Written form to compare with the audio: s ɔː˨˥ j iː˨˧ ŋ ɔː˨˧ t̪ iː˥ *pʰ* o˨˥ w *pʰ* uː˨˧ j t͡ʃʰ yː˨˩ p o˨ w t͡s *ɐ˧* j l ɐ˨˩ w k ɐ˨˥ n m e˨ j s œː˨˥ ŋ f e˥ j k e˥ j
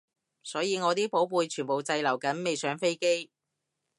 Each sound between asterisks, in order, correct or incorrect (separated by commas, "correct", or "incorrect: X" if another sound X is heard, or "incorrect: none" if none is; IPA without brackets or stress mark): incorrect: p, incorrect: p, correct